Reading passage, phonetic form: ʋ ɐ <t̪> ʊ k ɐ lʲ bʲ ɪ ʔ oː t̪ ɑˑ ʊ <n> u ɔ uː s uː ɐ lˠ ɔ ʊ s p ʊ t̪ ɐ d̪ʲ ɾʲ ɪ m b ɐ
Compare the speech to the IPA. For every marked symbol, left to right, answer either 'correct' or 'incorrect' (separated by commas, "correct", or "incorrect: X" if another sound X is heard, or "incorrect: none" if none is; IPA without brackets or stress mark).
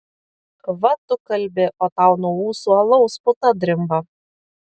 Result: correct, correct